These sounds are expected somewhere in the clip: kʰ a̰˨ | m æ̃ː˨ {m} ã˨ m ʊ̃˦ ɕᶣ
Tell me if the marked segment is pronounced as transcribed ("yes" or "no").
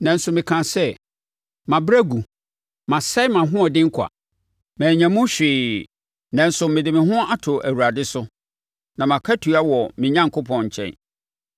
no